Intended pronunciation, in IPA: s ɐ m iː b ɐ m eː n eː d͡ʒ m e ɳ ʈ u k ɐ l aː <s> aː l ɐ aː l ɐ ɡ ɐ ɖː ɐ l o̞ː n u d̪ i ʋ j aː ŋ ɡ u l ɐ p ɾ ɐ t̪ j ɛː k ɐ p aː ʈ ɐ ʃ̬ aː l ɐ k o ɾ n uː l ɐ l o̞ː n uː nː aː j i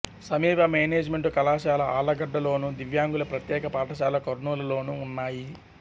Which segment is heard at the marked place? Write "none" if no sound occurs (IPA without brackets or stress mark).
ʃ